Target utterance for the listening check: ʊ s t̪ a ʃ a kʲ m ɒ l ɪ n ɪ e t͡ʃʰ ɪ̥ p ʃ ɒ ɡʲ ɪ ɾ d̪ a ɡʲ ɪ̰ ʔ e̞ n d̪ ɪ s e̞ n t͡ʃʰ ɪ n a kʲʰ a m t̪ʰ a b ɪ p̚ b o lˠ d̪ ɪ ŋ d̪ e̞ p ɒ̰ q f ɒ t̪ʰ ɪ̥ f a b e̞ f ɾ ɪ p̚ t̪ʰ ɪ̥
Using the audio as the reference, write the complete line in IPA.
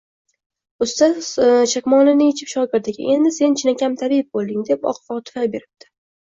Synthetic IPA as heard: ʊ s t̪ a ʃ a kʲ m ɒ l ɪ n ɪ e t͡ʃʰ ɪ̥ p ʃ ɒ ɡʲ ɪ ɾ d̪ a ɡʲ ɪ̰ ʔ e̞ n d̪ ɪ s e̞ n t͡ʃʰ ɪ n a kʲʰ a m t̪ʰ a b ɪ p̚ b o lˠ d̪ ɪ ŋ d̪ e̞ p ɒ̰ q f ɒ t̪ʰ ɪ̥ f a b e̞ ɾ ɪ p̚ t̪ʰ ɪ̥